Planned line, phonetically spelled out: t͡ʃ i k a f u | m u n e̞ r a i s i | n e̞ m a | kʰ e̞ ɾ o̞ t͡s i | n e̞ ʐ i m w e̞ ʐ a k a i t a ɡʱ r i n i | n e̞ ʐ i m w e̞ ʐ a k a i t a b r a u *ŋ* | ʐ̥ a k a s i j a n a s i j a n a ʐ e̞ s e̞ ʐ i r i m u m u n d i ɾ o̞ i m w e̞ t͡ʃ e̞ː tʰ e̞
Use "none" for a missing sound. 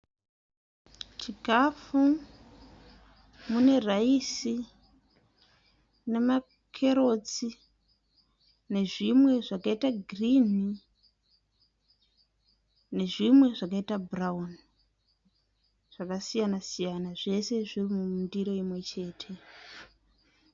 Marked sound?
n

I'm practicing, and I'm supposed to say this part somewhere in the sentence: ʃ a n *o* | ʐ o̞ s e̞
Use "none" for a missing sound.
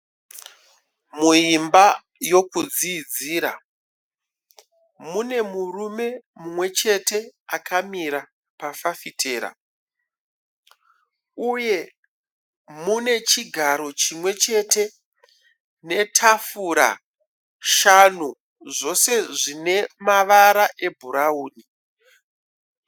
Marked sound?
u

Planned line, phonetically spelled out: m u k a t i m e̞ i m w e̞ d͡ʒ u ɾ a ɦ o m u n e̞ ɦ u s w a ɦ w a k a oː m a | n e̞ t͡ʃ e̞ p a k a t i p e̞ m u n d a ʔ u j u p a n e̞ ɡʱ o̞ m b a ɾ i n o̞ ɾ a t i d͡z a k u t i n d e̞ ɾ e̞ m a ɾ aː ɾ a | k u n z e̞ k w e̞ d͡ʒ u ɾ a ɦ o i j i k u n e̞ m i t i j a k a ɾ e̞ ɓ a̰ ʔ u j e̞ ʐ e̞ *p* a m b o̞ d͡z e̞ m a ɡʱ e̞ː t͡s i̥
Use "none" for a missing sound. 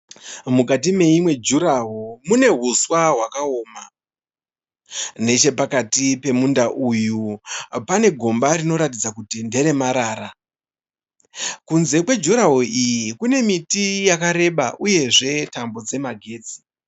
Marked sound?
t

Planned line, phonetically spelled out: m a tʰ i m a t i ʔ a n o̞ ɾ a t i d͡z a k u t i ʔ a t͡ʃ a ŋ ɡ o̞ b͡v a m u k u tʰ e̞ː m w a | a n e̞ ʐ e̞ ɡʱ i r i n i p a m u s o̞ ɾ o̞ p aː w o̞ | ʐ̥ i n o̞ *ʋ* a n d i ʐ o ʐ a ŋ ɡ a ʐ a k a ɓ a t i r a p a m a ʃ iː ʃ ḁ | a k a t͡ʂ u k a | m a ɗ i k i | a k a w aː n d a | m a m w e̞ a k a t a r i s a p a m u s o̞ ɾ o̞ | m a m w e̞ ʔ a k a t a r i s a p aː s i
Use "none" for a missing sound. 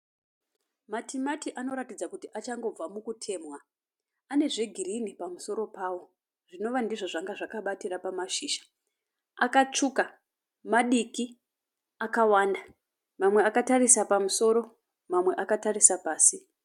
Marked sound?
ʋ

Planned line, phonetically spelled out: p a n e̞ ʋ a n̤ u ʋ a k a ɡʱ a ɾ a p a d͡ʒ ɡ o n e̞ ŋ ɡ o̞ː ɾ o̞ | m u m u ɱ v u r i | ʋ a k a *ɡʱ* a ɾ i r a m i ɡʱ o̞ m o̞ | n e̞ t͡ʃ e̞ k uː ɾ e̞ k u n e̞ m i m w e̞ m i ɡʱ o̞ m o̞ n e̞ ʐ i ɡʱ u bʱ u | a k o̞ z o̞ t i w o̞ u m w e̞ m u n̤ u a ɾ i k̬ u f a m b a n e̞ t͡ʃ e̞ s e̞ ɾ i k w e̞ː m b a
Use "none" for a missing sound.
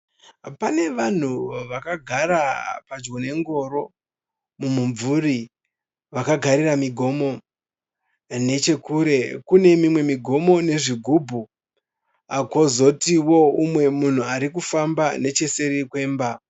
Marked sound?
ɡʱ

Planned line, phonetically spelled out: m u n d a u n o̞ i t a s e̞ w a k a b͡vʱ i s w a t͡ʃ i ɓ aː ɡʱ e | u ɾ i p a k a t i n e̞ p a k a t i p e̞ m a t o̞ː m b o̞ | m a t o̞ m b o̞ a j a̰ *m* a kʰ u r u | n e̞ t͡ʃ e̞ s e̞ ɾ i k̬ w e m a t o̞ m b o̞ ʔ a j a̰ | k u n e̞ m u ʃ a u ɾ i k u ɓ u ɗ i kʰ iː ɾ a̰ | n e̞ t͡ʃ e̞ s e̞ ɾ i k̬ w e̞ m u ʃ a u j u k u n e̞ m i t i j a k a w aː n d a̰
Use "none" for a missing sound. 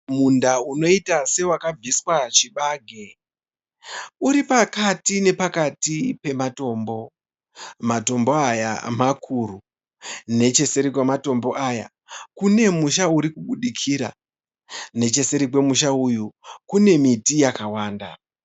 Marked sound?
m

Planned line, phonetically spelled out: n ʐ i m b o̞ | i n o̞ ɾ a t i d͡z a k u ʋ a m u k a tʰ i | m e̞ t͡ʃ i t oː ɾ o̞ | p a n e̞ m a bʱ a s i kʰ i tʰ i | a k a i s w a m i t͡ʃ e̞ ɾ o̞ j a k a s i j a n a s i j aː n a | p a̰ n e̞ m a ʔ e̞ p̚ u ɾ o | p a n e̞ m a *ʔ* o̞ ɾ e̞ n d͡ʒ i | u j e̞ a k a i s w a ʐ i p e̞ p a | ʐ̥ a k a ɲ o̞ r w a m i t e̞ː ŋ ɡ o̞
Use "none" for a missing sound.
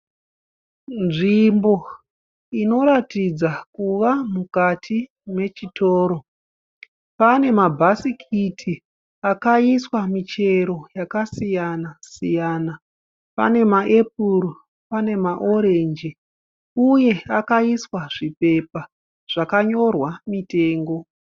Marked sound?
ʔ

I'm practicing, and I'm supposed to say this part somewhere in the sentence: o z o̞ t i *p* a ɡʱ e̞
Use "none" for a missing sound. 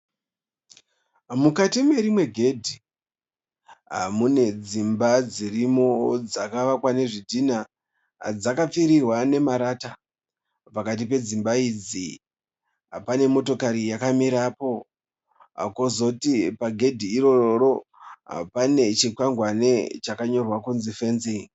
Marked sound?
p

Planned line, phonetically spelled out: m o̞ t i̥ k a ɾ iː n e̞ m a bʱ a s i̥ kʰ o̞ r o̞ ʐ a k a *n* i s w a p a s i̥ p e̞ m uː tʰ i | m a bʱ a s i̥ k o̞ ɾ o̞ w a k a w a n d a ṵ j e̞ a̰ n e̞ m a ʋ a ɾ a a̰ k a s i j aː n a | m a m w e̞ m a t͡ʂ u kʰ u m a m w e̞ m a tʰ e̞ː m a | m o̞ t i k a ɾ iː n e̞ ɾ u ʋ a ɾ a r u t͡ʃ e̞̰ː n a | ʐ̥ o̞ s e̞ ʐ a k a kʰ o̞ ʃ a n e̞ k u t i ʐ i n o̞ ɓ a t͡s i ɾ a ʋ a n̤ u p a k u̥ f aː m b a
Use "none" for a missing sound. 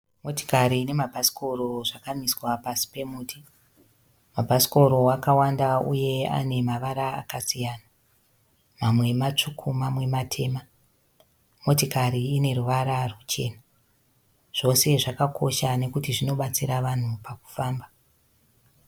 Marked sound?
m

